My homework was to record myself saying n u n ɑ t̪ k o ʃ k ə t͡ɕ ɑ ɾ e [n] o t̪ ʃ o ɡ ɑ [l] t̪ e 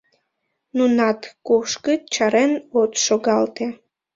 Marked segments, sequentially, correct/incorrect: correct, correct

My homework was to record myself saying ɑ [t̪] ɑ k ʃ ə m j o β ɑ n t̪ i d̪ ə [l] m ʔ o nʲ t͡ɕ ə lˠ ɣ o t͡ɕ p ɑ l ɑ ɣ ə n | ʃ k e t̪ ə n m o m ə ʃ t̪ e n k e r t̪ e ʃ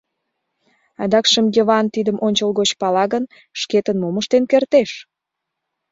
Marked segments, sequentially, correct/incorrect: incorrect, incorrect

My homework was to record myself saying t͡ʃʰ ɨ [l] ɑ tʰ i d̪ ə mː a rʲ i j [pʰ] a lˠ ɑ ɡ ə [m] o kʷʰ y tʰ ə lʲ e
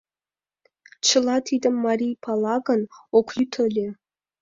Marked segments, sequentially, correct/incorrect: correct, correct, incorrect

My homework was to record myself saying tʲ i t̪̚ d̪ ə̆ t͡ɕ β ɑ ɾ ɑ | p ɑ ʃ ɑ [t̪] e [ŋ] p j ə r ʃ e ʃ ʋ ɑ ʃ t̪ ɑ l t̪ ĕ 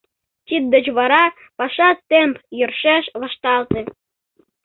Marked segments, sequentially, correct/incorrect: correct, incorrect

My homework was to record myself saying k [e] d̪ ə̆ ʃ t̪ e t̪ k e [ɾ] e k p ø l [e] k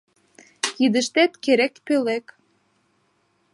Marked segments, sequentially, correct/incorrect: incorrect, correct, correct

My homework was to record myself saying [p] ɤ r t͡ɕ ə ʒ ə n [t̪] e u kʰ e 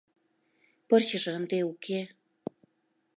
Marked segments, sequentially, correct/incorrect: correct, incorrect

